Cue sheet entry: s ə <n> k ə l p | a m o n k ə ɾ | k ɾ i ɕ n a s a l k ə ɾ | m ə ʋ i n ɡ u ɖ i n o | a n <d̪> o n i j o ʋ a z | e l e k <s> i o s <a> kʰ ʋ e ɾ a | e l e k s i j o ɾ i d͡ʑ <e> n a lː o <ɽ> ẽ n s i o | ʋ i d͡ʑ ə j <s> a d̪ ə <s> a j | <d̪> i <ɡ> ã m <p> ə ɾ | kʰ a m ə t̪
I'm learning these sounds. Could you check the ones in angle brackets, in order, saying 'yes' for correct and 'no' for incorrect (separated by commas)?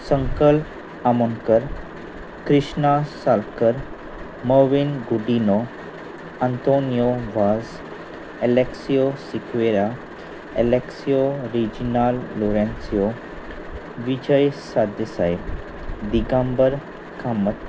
no, no, yes, no, no, no, yes, yes, yes, yes, no